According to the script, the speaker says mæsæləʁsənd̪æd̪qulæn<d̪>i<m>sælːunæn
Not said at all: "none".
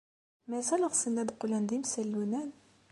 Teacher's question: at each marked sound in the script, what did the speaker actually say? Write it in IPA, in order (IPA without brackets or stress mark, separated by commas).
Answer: d̪, m